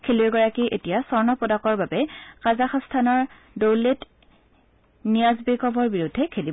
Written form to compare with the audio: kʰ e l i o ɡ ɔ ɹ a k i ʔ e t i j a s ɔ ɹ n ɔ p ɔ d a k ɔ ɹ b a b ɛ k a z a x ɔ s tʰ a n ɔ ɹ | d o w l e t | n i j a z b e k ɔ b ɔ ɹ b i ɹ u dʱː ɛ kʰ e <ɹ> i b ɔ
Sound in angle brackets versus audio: incorrect: l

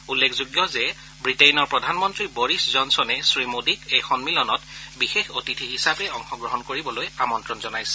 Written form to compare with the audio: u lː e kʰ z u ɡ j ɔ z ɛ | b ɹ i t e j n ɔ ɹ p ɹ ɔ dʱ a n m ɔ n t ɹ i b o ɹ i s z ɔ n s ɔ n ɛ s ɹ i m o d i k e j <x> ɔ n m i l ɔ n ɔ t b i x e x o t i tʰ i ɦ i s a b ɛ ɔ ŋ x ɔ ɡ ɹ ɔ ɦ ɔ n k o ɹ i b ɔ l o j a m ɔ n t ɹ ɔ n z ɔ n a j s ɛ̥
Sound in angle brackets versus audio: correct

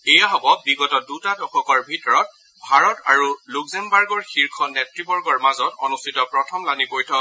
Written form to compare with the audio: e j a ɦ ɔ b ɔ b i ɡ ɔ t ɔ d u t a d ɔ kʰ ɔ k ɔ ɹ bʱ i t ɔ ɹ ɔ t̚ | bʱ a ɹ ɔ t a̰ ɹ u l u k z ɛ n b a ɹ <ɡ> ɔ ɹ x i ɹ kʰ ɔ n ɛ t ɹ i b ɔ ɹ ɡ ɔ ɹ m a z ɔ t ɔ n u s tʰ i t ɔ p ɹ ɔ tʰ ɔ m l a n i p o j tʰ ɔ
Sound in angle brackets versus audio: correct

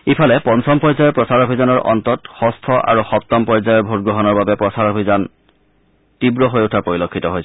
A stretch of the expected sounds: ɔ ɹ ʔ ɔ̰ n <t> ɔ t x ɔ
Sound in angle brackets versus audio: correct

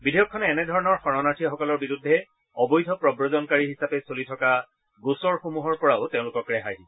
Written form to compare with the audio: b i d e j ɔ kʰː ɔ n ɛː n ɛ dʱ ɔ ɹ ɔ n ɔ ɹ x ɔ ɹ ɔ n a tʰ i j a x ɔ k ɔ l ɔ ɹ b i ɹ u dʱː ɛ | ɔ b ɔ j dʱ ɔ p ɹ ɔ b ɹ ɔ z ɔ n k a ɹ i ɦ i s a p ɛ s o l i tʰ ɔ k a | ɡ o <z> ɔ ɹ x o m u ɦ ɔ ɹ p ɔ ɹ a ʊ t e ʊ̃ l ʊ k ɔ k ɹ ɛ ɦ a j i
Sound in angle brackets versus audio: incorrect: s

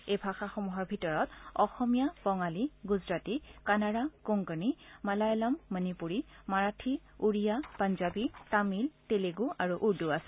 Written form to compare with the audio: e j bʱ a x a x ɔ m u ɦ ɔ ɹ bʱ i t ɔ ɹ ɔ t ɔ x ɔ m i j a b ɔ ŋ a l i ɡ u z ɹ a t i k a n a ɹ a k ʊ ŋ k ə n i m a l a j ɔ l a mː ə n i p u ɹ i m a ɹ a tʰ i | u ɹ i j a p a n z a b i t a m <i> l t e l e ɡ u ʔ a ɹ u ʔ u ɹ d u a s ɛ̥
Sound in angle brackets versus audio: correct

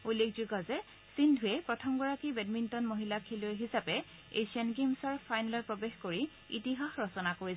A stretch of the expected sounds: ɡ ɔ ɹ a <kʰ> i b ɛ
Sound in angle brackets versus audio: incorrect: k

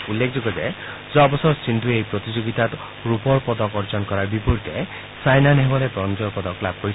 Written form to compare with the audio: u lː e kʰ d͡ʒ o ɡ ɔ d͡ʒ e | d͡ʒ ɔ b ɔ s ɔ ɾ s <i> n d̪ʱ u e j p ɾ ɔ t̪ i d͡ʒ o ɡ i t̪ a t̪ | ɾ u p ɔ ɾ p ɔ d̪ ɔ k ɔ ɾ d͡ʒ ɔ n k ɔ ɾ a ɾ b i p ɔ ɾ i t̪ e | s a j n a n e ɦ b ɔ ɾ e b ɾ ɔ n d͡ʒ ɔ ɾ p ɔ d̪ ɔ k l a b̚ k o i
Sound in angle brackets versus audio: correct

